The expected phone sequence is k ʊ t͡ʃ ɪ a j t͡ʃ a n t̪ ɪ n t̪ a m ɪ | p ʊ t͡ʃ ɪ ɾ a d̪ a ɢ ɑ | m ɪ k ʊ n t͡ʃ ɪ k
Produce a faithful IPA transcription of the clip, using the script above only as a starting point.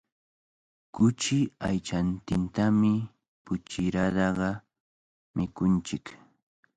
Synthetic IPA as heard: k ʊ t͡ʃ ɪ a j t͡ʃ a n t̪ ɪ n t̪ a m ɪ | p ʊ t͡ʃ ɪ ɾ a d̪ ɑ ɢ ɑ | m ɪ k ʊ n t͡ʃ ɪ k